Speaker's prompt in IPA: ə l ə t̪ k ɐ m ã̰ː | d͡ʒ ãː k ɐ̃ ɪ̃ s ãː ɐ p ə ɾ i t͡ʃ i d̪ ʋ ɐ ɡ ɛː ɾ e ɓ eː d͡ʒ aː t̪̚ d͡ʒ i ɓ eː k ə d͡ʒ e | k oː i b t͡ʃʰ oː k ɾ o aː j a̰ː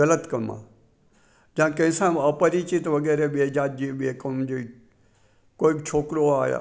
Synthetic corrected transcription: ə l ə t̪ k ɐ m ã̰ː | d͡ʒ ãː k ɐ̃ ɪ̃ s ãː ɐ p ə ɾ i t͡ʃ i t̪ ʋ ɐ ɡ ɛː ɾ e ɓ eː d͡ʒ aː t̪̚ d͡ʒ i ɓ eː k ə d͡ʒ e | k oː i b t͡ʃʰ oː k ɾ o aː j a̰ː